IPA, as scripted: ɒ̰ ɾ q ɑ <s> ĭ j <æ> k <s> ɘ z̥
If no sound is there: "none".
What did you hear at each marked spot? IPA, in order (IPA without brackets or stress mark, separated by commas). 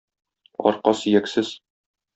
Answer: s, æ, s